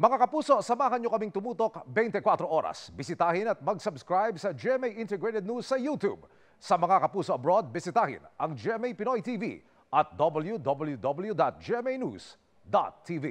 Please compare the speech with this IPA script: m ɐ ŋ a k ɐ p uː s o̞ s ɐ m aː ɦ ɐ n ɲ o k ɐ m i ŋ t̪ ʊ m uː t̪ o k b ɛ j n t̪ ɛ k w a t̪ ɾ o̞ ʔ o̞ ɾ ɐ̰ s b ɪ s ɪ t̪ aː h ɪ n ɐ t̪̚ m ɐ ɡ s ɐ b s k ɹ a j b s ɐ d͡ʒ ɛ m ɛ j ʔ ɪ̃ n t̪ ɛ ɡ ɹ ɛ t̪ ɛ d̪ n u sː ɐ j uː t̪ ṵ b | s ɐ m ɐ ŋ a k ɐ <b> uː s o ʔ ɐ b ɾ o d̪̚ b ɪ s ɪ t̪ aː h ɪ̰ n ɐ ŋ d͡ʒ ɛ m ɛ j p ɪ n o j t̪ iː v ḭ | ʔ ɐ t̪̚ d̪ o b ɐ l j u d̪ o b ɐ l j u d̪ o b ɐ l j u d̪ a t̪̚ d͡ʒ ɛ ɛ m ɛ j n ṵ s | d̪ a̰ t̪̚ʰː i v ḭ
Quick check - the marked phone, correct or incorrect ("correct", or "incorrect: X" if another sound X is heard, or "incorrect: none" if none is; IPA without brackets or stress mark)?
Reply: incorrect: p